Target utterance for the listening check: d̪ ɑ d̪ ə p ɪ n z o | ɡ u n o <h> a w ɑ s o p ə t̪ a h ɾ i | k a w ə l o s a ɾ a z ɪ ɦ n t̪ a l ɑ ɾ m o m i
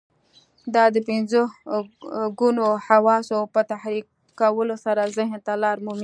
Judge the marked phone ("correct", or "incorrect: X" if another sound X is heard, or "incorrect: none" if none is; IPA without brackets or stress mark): correct